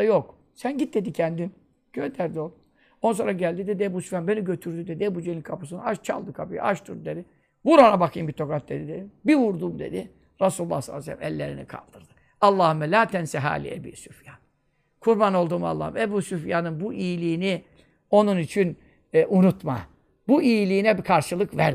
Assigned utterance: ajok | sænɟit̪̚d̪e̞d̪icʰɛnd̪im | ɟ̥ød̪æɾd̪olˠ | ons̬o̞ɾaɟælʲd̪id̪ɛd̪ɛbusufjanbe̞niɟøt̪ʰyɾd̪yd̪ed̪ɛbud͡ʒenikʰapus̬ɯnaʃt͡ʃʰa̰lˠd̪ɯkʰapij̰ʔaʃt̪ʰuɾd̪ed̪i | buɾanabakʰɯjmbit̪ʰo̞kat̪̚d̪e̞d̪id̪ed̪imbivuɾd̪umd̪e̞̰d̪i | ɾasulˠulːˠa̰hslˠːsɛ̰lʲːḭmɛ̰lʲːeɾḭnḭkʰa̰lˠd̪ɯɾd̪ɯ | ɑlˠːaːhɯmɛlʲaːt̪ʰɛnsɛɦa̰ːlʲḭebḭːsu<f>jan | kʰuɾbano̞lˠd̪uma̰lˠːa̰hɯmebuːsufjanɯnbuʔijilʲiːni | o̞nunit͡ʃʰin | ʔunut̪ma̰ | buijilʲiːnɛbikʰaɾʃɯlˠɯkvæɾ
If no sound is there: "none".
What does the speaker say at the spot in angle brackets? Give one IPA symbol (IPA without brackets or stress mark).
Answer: f